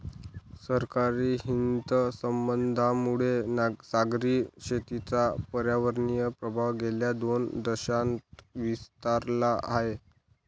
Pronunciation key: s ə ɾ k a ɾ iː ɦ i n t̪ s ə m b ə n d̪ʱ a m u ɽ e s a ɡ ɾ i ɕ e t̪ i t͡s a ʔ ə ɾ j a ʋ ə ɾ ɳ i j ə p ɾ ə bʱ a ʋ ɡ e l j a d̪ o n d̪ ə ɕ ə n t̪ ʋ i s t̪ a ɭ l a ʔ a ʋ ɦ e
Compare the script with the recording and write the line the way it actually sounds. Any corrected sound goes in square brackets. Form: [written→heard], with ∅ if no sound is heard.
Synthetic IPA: s ə ɾ k a ɾ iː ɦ i n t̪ s ə m b ə n d̪ʱ a m u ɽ e s a ɡ ɾ i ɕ e t̪ i t͡s a [ʔ→p] ə ɾ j a ʋ ə ɾ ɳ i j ə p ɾ ə bʱ a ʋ ɡ e l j a d̪ o n d̪ ə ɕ [ə→a] n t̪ ʋ i s t̪ a [ɭ→ɾ] l a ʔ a [ʋ→∅] ɦ e